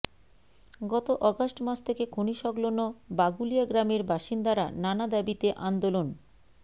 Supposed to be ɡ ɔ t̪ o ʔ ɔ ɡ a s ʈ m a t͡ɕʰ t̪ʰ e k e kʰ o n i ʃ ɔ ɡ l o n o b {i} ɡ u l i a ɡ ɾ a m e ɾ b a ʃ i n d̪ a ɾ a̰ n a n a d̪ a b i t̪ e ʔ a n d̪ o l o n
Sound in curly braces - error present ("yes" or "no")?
yes